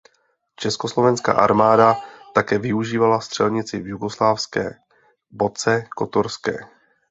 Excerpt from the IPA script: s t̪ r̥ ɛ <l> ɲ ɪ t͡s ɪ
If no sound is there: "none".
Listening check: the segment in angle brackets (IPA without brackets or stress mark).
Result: l